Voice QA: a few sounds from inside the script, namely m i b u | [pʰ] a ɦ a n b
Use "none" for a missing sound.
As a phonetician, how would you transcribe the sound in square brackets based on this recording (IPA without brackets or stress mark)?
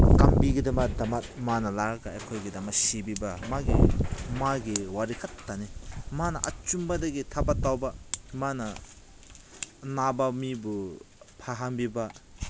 pʰ